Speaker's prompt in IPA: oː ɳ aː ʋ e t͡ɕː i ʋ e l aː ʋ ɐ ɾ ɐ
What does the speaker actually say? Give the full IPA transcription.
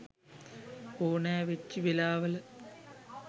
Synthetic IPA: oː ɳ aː ʋ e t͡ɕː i ʋ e l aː ʋ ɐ l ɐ